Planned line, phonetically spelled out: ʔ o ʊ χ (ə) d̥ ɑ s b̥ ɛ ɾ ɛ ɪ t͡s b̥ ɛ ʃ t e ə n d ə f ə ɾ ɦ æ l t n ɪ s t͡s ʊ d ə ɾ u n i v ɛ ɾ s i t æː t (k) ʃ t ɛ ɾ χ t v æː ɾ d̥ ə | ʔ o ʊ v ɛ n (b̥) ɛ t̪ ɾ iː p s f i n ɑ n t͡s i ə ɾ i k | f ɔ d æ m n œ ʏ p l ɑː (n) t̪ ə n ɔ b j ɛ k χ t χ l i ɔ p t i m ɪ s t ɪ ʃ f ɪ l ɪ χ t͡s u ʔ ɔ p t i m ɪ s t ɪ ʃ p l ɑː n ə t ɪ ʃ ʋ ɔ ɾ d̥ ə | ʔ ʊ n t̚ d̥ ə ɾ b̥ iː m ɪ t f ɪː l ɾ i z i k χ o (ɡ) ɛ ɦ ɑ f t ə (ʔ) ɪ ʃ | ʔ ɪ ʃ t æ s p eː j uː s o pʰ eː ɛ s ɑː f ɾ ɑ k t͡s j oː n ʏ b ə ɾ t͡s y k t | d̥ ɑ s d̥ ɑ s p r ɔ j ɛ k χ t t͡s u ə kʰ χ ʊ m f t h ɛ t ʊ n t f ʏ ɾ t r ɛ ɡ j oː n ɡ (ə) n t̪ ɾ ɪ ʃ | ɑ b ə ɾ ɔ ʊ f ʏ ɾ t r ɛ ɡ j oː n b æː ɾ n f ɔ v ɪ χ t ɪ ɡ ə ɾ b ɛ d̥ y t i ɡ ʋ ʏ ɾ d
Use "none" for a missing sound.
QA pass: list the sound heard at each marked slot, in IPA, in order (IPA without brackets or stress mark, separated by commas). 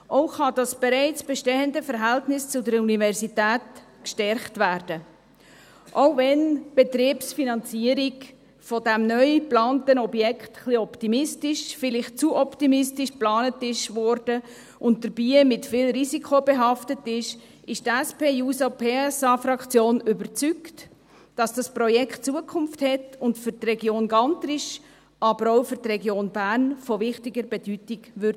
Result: ɑ, k, b̥, n, b, t, ɑ